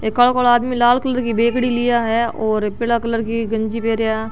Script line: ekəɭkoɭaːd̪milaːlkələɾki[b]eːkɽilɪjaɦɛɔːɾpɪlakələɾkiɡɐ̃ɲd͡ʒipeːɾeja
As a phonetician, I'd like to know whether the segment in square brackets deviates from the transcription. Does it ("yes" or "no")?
no